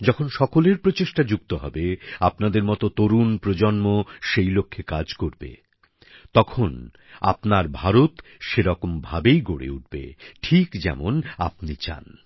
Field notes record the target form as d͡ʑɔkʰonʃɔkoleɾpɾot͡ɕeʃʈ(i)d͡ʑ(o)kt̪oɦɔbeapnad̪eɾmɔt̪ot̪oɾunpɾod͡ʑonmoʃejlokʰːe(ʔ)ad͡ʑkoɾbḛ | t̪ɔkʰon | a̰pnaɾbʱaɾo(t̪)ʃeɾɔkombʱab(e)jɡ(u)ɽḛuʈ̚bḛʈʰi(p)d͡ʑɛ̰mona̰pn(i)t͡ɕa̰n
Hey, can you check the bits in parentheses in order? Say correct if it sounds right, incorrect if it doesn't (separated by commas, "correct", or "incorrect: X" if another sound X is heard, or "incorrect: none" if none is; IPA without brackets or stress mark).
incorrect: a, incorrect: u, incorrect: k, correct, correct, incorrect: o, incorrect: k, correct